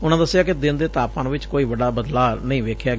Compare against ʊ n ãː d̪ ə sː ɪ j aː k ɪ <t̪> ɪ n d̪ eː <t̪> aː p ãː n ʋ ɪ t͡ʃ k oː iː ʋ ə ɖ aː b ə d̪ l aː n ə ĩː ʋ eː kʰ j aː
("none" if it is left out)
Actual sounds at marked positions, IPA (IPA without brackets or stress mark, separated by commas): d̪, t̪